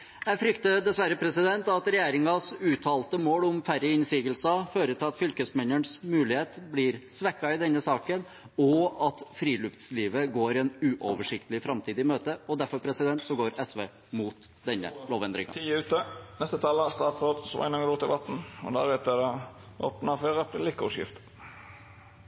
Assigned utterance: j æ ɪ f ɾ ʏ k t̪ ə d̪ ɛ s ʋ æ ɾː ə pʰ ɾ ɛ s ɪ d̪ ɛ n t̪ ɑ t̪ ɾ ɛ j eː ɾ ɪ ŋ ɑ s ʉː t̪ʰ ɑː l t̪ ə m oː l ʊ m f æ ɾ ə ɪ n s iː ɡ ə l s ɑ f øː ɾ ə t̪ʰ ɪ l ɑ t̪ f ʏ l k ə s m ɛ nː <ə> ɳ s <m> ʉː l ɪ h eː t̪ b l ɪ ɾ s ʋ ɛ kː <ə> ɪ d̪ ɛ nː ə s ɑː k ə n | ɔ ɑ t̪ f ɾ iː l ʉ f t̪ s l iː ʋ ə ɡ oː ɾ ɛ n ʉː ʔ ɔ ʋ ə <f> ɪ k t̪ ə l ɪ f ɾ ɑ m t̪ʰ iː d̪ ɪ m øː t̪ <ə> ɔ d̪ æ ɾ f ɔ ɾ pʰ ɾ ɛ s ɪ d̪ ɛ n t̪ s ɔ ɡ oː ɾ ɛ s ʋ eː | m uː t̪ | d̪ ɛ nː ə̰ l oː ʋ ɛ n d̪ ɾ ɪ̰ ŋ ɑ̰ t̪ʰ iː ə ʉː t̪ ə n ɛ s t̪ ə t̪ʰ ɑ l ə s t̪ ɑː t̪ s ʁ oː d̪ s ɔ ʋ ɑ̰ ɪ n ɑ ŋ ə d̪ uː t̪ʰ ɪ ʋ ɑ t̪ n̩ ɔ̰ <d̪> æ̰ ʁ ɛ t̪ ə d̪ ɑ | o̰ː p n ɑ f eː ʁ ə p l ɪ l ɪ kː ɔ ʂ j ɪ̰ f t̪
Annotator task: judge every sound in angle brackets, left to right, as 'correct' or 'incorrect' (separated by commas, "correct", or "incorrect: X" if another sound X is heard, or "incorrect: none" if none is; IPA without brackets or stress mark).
correct, correct, incorrect: ɑ, incorrect: ʂ, correct, correct